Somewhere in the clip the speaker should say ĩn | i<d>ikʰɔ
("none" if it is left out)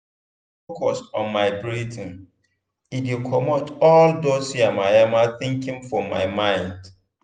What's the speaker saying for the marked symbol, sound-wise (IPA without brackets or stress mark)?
d